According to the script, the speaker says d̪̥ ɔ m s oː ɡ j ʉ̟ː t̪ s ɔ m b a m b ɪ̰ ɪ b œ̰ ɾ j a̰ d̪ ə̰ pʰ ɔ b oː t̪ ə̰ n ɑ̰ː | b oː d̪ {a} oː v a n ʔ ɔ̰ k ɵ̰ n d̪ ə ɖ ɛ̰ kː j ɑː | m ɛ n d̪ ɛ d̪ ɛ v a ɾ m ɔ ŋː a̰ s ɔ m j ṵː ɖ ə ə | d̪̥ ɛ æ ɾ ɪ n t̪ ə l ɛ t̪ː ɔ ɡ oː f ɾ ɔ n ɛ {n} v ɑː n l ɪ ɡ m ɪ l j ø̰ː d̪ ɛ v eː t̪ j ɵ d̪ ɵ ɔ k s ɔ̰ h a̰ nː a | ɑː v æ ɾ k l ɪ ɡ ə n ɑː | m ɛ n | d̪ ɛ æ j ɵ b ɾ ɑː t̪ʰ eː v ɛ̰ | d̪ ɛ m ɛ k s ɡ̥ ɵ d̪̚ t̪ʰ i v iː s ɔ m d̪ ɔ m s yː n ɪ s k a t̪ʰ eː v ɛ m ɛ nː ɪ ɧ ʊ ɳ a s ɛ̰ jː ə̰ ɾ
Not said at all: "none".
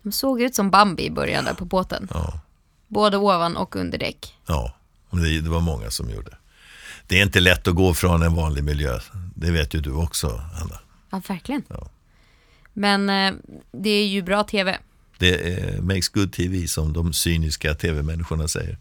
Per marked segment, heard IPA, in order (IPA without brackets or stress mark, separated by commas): ə, n